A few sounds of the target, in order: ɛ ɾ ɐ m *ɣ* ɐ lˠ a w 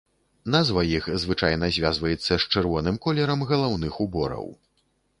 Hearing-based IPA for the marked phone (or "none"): ɣ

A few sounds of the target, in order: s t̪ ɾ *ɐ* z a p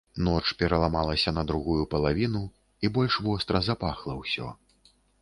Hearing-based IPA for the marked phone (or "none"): ɐ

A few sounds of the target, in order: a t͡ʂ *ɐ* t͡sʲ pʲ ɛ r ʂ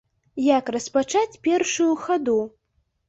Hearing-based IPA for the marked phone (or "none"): a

